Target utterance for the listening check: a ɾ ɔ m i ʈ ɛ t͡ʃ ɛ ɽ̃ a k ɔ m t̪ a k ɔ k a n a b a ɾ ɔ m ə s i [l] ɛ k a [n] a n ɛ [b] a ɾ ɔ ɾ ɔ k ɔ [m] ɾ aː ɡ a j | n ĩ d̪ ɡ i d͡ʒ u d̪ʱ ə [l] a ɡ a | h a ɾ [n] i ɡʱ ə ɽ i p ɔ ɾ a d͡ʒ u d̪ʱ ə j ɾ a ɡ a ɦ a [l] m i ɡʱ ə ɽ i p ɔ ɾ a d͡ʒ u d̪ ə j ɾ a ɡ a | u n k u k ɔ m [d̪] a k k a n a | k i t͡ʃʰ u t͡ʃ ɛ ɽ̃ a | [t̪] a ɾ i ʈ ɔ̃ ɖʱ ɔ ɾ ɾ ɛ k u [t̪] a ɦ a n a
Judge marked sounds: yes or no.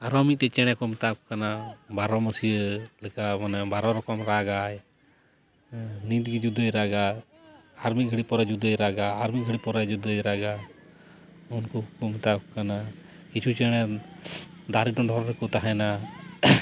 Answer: yes, no, yes, yes, no, no, no, no, no, yes

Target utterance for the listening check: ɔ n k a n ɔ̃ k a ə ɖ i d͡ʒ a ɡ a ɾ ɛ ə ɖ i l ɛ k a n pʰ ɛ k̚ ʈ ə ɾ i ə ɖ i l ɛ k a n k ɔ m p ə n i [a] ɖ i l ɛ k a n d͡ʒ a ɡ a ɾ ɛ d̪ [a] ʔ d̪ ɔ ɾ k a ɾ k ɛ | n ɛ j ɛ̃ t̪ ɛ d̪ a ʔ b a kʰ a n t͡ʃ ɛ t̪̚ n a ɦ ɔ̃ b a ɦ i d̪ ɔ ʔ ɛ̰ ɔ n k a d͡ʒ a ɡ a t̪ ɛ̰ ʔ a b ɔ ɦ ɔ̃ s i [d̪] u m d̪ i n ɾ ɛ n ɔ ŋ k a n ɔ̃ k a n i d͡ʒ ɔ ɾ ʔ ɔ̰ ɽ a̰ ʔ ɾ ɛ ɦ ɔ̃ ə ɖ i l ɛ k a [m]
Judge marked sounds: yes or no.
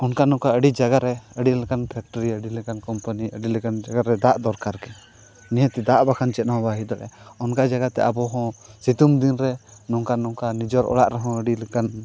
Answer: no, yes, no, no

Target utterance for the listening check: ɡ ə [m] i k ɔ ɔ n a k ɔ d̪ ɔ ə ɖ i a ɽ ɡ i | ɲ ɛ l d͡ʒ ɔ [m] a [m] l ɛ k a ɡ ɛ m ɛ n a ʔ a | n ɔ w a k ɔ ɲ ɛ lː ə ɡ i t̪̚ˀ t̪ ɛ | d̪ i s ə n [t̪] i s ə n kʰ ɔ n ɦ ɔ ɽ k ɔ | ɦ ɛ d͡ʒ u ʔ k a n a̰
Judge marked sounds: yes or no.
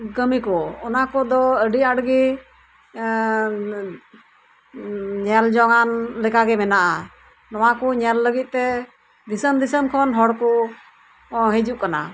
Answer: yes, no, no, no

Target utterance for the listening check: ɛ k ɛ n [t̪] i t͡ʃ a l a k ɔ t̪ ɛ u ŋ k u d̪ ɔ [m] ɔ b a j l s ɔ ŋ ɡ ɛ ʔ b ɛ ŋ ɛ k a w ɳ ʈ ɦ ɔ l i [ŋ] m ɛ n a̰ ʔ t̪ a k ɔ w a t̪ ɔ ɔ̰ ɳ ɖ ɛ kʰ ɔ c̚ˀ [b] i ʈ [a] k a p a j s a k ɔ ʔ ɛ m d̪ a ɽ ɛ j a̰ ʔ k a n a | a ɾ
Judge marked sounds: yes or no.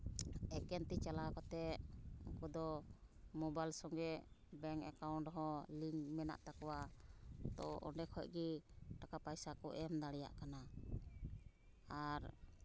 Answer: yes, yes, yes, no, yes

